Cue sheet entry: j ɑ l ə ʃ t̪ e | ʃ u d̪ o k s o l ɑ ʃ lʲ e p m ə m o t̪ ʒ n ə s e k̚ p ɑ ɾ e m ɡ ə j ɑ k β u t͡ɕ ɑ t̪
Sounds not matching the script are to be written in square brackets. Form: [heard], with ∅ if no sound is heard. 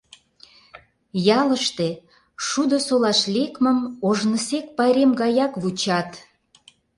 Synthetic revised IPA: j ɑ l ə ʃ t̪ e | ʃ u d̪ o [∅] s o l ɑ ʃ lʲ e [k] m ə m o [∅] ʒ n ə s e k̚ p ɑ ɾ e m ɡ [ɑ] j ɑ k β u t͡ɕ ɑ t̪